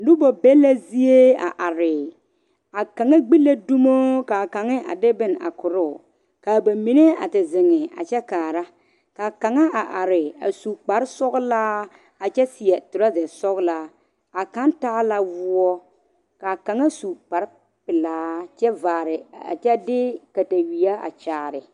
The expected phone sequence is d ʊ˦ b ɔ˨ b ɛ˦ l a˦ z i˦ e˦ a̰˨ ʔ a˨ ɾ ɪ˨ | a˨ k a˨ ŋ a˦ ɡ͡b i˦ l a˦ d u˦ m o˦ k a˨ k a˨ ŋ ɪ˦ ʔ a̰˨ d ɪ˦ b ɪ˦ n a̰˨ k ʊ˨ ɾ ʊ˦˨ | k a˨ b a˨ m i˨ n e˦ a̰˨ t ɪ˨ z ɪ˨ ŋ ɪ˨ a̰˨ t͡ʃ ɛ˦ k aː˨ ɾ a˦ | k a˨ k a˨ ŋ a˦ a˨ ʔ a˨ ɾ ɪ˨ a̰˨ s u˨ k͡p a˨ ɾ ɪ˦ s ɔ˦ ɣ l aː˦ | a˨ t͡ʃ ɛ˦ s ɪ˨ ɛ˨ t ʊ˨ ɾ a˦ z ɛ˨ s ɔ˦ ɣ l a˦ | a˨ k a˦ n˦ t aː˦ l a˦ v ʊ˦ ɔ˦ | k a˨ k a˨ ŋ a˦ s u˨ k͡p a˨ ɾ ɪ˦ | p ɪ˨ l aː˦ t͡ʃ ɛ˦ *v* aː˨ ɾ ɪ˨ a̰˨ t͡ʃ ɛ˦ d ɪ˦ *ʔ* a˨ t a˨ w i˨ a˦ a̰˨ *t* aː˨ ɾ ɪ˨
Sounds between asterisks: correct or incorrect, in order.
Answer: correct, incorrect, incorrect

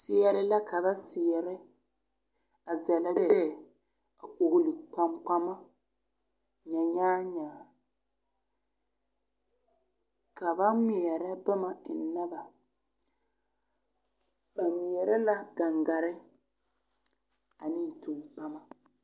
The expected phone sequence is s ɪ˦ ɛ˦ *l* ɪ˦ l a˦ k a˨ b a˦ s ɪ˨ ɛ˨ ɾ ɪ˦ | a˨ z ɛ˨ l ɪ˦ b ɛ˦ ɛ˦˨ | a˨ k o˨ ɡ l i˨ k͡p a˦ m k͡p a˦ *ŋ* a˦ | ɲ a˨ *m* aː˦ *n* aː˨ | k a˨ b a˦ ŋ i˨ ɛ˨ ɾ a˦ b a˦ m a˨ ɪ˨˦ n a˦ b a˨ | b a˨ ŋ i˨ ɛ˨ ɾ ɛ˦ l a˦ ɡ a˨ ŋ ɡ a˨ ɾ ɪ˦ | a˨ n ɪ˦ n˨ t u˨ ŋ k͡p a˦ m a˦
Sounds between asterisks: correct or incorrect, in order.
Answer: incorrect, incorrect, incorrect, incorrect

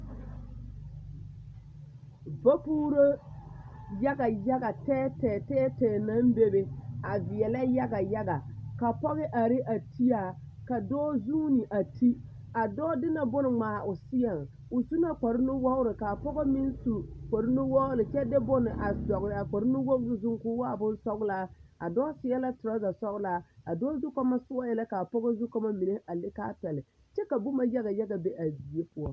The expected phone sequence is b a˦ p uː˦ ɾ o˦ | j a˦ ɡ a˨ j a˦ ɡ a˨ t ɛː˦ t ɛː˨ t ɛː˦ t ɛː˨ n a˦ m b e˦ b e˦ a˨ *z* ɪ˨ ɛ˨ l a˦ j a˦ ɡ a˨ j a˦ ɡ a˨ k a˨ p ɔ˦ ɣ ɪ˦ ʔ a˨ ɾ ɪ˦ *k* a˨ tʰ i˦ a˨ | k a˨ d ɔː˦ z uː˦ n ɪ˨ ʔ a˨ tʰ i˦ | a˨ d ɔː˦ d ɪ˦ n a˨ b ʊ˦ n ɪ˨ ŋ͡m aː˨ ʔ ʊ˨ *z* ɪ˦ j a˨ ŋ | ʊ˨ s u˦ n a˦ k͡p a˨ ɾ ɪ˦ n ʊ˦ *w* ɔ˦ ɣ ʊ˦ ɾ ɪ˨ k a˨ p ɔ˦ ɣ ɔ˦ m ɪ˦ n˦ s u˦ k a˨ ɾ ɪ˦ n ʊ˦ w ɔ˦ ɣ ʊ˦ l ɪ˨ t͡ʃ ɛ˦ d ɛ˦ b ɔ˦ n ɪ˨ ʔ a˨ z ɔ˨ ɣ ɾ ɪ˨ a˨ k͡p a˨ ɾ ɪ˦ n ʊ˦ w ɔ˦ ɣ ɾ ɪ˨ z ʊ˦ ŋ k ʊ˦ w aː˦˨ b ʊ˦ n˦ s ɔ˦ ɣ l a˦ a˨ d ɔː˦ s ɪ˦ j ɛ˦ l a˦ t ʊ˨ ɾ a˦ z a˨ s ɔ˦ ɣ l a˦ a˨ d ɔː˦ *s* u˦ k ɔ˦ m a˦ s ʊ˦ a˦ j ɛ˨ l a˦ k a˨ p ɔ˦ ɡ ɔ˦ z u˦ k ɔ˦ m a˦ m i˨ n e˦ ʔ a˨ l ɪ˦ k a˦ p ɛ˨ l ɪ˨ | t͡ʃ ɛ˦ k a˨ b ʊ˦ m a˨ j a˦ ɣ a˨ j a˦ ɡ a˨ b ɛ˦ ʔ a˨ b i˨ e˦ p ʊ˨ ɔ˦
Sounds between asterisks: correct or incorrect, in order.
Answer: incorrect, incorrect, incorrect, correct, incorrect

